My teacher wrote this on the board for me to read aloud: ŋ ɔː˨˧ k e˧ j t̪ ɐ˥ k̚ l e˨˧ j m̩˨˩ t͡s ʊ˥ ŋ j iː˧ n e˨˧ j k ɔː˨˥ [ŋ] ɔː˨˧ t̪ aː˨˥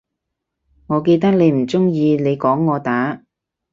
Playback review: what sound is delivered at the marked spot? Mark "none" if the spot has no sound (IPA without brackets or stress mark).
ŋː